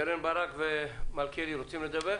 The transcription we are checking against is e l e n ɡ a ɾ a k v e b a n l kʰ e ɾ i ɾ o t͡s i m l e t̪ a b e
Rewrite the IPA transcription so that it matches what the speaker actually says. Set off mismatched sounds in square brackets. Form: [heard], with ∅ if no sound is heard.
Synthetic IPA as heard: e [ɾ] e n [b] a ɾ a k v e [m] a [∅] l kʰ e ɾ i ɾ o t͡s i m l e [d̪] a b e